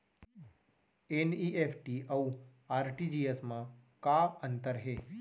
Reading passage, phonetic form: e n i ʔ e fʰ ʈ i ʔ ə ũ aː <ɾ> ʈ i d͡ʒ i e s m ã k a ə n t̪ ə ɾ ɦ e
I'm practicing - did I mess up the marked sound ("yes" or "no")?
no